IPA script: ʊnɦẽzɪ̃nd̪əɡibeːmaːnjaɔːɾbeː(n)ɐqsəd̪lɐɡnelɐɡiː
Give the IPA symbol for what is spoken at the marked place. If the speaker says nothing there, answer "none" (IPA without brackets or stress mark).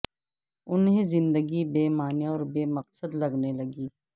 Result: m